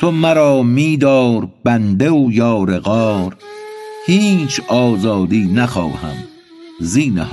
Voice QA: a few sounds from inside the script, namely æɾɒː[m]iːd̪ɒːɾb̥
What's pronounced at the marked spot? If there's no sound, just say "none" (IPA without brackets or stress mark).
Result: m